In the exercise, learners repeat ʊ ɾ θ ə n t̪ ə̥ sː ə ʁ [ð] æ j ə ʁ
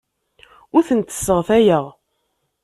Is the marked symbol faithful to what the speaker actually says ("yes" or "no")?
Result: no